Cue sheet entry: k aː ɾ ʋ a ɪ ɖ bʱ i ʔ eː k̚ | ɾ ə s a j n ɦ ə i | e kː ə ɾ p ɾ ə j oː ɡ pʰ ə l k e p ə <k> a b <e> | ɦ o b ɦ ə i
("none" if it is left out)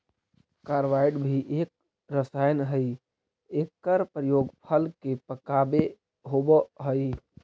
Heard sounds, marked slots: k, e

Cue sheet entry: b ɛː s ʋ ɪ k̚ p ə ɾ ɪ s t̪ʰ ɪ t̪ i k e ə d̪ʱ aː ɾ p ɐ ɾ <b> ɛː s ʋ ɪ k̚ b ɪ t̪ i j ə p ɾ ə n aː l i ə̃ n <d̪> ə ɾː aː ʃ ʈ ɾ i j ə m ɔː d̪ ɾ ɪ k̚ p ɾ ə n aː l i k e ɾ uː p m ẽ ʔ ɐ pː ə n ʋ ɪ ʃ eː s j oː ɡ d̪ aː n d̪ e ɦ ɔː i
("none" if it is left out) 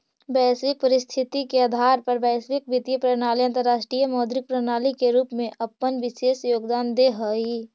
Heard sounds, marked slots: b, t̪

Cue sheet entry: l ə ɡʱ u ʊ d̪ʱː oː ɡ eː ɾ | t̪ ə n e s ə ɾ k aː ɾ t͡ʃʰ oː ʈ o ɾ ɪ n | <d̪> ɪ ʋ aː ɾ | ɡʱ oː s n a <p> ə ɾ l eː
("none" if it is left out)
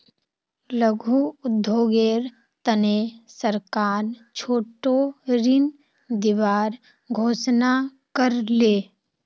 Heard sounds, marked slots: d̪, k

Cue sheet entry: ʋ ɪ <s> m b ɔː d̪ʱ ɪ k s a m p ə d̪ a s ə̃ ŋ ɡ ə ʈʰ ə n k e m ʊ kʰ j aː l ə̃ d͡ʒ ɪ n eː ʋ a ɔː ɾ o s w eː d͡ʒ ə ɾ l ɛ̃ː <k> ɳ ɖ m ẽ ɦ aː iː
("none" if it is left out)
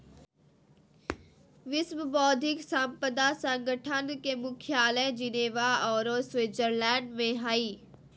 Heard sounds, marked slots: s, none

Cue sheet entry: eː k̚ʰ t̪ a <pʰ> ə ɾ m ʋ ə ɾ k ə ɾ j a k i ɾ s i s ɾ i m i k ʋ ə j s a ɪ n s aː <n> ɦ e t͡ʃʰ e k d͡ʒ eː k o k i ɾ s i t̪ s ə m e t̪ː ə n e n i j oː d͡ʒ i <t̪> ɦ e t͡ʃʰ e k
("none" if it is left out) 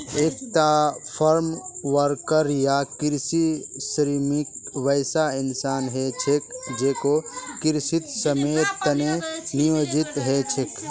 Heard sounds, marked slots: pʰ, n, t̪

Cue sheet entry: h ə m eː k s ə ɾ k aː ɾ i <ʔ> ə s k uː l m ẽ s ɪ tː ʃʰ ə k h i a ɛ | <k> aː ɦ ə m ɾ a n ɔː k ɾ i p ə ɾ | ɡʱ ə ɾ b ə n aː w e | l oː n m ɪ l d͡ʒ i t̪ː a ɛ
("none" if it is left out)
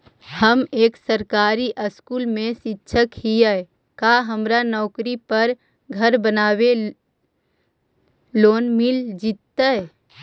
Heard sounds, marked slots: ʔ, k

